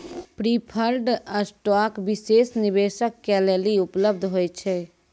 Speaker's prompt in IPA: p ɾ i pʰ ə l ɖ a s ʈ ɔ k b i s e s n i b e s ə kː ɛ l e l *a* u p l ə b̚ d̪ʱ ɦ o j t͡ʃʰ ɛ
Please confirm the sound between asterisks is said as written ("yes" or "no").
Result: no